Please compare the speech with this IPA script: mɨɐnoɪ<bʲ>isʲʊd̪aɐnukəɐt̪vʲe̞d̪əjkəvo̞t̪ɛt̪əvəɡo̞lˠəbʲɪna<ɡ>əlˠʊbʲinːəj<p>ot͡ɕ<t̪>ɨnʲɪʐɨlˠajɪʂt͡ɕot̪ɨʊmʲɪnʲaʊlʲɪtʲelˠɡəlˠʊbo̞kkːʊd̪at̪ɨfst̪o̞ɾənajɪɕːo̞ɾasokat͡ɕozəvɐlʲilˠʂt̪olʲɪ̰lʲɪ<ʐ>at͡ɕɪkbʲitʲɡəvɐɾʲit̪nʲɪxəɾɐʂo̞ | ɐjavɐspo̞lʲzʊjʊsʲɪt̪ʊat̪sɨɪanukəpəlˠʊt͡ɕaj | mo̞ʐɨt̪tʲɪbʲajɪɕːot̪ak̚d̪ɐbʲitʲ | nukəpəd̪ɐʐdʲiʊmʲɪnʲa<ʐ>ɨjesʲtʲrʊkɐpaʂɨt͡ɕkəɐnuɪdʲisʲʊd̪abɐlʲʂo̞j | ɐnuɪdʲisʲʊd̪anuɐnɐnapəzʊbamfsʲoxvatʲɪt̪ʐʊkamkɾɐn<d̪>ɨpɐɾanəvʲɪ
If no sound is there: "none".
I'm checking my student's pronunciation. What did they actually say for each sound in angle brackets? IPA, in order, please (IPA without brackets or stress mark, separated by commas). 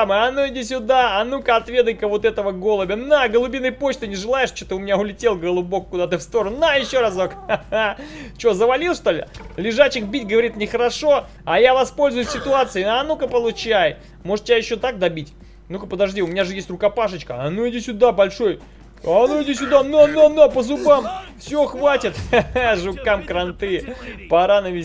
dʲ, ɡ, p, t̪, ʐ, ʐ, t̪